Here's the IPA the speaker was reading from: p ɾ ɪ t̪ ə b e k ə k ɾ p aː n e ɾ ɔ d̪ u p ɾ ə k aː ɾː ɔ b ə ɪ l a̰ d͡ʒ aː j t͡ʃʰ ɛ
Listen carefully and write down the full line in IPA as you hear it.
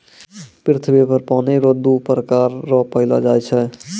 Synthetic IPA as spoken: p ɾ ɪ t̪ʰ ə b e p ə ɾ p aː n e ɾ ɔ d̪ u p ɾ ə k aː ɾː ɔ p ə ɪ l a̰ d͡ʒ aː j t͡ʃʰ ɛ